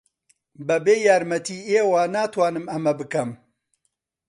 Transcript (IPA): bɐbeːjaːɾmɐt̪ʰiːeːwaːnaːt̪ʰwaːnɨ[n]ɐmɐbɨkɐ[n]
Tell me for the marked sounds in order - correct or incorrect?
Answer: incorrect, incorrect

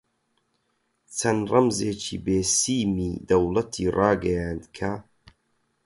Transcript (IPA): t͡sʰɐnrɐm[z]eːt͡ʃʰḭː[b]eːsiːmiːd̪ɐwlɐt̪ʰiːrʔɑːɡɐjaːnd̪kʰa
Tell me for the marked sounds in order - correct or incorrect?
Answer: correct, correct

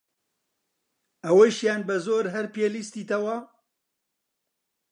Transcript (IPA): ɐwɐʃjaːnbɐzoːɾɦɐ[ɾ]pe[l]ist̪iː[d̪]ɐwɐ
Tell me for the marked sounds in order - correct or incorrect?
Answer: correct, correct, incorrect

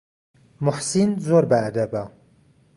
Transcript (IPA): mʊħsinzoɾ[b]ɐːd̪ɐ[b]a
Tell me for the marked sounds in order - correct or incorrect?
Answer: correct, correct

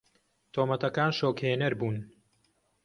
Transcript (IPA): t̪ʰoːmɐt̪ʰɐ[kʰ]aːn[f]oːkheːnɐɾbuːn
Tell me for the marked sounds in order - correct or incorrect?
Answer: incorrect, incorrect

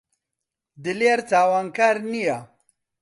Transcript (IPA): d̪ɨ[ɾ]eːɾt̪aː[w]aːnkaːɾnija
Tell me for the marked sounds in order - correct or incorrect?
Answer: incorrect, correct

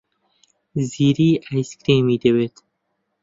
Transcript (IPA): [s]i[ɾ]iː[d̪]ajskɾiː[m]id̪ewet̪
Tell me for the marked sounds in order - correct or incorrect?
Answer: incorrect, correct, incorrect, correct

